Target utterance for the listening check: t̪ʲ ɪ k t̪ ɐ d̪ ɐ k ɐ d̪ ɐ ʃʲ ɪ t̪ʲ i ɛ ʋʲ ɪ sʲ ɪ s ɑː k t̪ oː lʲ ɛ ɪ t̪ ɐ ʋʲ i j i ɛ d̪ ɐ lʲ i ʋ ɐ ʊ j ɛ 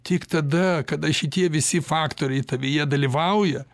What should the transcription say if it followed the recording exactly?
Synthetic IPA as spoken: t̪ʲ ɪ k t̪ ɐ d̪ ɐ k ɐ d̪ ɐ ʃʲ ɪ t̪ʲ i ɛ ʋʲ ɪ sʲ ɪ f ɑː k t̪ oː ɾʲ ɛ ɪ t̪ ɐ ʋʲ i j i ɛ d̪ ɐ lʲ i ʋ ɐ ʊ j ɛ